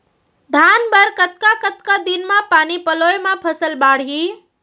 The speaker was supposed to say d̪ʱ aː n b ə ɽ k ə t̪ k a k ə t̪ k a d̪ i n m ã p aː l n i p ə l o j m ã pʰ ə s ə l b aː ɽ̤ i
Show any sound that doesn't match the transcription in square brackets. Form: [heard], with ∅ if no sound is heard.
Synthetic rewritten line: d̪ʱ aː n b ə [ɾ] k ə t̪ k a k ə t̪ k a d̪ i n m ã p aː [∅] n i p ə l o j m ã pʰ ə s ə l b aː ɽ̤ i

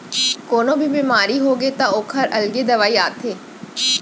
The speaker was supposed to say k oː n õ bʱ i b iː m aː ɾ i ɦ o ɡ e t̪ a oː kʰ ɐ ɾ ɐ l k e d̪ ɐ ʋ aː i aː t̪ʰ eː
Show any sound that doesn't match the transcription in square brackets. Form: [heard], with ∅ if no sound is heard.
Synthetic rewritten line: k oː n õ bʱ i b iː m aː ɾ i ɦ o ɡ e t̪ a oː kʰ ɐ ɾ ɐ l [ɡ] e d̪ ɐ ʋ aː i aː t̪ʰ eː

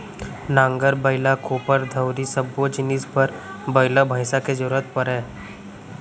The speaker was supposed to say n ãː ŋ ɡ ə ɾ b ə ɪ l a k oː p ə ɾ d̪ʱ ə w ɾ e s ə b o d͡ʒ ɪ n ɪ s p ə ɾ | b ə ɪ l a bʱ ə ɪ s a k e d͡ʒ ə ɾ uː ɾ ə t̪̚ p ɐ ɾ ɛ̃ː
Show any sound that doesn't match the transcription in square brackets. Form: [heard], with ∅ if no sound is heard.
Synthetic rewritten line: n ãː ŋ ɡ ə ɾ b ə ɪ l a k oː p ə ɾ d̪ʱ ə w ɾ [i] s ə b o d͡ʒ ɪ n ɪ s p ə ɾ | b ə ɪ l a bʱ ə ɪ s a k e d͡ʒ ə ɾ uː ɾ ə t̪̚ p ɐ ɾ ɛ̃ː

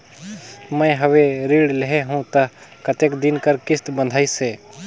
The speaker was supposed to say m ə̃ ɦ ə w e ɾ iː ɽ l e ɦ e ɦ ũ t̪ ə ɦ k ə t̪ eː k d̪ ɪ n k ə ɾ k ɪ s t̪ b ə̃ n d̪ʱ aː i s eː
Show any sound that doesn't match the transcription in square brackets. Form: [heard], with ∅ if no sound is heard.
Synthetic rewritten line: m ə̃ ɦ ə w e ɾ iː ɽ l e ɦ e ɦ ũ t̪ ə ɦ k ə t̪ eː k d̪ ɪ n k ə ɾ k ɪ s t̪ b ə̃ n d̪ʱ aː i s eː

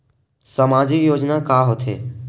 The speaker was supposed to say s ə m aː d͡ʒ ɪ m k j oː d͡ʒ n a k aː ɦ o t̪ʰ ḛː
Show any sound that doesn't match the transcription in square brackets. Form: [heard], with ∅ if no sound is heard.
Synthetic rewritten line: s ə m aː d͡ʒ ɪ [∅] k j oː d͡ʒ n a k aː ɦ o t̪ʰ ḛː

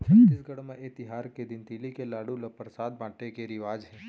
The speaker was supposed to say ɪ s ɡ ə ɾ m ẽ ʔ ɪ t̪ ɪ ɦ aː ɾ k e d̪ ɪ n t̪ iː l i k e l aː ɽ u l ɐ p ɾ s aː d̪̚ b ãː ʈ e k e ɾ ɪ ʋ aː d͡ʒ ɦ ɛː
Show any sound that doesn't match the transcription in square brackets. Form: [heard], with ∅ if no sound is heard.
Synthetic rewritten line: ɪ s ɡ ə [ɽ] m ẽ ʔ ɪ t̪ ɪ ɦ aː ɾ k e d̪ ɪ n t̪ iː l i k e l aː ɽ u l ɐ p ɾ s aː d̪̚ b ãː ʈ e k e ɾ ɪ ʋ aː d͡ʒ ɦ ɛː

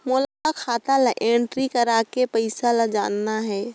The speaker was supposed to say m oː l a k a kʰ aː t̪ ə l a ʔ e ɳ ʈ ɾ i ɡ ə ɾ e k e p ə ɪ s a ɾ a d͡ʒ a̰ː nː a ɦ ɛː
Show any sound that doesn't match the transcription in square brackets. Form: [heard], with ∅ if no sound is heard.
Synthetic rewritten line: m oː l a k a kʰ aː t̪ [a] l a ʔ e ɳ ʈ ɾ i [k] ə ɾ [a] k e p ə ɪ s a [l] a d͡ʒ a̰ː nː a ɦ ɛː

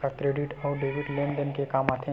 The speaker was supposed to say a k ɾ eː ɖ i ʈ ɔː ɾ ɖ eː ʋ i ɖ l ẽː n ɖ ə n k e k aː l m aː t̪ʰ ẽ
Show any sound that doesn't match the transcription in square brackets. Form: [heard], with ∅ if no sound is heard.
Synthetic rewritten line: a k ɾ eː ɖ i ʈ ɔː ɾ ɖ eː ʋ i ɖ l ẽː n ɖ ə n k e k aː [∅] m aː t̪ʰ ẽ

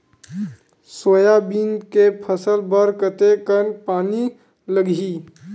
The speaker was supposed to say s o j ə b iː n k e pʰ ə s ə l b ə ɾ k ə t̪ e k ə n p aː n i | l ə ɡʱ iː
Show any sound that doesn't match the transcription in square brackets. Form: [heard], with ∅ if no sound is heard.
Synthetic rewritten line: s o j [a] b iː n k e pʰ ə s ə l b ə ɾ k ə t̪ e k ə n p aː n i | l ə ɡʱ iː

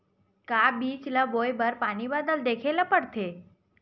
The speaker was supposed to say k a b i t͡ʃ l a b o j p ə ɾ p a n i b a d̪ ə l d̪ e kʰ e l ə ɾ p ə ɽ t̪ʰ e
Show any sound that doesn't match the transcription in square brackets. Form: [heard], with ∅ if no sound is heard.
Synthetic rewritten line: k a b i t͡ʃ l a b o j [b] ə ɾ p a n i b a d̪ ə l d̪ e kʰ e l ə [∅] p ə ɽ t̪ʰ e

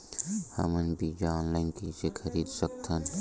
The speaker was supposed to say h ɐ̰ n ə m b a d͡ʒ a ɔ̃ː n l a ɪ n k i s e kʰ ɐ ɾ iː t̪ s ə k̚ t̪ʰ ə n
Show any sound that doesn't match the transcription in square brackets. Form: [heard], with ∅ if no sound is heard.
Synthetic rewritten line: h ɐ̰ [m] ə [n] b [i] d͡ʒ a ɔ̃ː n l a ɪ n k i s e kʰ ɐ ɾ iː [d̪] s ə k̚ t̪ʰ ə n

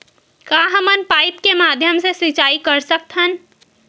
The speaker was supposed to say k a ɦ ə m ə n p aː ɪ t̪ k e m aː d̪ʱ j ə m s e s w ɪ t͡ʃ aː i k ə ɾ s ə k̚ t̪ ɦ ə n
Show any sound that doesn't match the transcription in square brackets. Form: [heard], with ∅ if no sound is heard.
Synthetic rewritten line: k a ɦ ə m ə n p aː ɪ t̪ k e m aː d̪ʱ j ə m s e s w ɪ t͡ʃ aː i k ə ɾ s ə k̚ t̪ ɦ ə n

